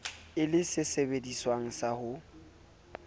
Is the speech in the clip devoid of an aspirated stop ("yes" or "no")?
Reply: yes